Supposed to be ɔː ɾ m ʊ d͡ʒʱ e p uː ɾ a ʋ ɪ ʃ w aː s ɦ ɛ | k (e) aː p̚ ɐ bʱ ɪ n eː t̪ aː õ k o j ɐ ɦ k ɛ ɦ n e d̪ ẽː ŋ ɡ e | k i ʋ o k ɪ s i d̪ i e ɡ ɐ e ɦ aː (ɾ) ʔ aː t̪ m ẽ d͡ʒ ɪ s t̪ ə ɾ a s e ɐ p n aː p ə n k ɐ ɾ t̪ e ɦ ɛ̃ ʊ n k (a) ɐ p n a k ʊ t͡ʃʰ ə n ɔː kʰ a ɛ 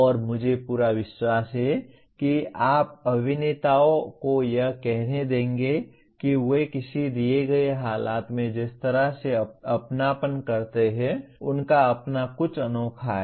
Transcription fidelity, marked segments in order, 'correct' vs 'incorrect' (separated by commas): incorrect, incorrect, correct